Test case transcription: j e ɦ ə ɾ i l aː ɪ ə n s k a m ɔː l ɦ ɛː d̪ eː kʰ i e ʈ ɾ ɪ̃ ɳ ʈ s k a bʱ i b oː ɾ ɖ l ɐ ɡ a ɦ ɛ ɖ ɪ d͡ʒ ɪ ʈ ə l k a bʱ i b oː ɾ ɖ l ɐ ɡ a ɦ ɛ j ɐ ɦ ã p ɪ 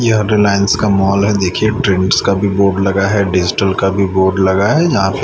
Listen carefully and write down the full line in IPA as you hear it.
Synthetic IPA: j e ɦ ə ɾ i l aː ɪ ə n s k a m ɔː l ɦ ɛ d̪ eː kʰ i e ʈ ɾ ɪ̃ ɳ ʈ s k a bʱ i b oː ɾ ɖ l ɐ ɡ a ɦ ɛ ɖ ɪ d͡ʒ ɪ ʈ ə l k a bʱ i b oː ɾ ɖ l ɐ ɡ a ɦ ɛ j ɐ ɦ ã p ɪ